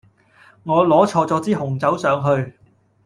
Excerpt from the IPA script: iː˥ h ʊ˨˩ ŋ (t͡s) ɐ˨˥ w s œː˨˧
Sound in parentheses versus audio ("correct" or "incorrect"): correct